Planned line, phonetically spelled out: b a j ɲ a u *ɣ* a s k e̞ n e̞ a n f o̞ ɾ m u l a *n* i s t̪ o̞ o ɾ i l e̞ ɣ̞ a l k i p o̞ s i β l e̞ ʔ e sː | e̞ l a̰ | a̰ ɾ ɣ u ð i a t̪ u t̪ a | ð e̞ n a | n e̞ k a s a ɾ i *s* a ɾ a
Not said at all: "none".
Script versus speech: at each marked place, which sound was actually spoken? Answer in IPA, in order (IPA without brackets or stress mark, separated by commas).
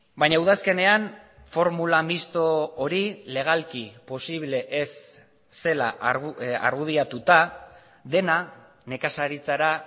ð, m, t͡s